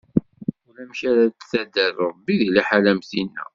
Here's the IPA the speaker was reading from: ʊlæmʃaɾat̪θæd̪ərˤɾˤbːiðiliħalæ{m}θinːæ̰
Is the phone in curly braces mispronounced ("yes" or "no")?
no